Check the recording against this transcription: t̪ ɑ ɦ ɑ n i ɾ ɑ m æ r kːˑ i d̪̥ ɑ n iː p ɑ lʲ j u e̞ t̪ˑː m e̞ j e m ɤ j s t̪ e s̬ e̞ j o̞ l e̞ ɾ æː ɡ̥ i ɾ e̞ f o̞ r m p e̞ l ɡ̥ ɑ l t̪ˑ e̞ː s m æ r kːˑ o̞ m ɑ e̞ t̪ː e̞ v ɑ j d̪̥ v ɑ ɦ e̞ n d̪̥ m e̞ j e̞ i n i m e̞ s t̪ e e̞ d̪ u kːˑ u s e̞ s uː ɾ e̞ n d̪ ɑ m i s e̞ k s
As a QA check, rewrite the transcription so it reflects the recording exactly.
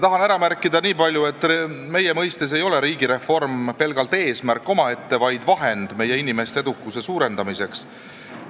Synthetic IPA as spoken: t̪ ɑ ɦ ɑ n æ ɾ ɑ m æ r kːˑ i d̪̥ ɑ n iː p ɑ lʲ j u e̞ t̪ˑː m e̞ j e m ɤ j s t̪ e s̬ e̞ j o̞ l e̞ ɾ iː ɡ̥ i ɾ e̞ f o̞ r m p e̞ l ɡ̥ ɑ l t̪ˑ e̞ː s m æ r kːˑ o̞ m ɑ e̞ t̪ː e̞ v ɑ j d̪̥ v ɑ ɦ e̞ n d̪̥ m e̞ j e̞ i n i m e̞ s t̪ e e̞ d̪ u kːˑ u s e̞ s uː ɾ e̞ n d̪ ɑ m i s e̞ k s